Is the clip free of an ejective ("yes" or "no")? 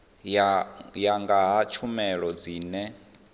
yes